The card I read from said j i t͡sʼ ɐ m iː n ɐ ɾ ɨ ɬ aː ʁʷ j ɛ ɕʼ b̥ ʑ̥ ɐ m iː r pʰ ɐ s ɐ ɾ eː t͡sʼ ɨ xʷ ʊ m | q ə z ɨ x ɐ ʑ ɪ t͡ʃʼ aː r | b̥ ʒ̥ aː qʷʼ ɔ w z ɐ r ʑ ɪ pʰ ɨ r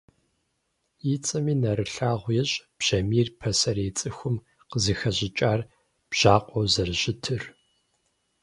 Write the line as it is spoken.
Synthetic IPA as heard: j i t͡sʼ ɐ m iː n ɐ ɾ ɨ ɬ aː ʁʷ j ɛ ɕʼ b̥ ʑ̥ ɐ m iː r pʰ ɐ s ɐ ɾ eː t͡sʼ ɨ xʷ ʊ m | q ə z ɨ x ɐ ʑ ɪ t͡ʃʼ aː r | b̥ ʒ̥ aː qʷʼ ɔ w z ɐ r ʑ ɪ tʰ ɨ r